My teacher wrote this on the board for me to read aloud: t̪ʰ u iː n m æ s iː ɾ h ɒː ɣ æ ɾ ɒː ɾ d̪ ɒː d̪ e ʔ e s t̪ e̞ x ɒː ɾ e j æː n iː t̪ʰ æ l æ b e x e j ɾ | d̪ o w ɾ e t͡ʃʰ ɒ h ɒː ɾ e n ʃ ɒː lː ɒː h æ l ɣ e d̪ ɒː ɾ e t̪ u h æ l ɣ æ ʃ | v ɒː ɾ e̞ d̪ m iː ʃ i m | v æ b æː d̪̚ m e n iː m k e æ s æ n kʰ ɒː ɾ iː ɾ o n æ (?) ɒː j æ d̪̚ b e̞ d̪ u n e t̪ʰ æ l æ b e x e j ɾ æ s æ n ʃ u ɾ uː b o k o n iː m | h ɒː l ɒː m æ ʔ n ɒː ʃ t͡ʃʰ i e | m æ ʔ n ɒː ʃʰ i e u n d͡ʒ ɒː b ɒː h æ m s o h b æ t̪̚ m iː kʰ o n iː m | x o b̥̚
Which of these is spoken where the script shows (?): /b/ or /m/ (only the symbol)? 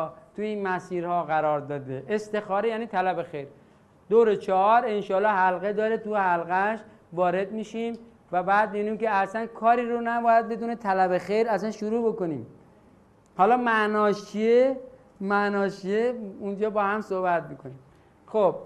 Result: b